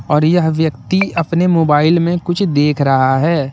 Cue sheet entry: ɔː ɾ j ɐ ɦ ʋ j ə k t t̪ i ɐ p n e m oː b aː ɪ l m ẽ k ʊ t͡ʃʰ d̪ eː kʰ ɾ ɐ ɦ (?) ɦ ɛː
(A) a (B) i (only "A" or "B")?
A